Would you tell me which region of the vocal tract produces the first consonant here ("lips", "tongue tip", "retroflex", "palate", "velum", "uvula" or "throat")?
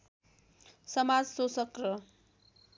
tongue tip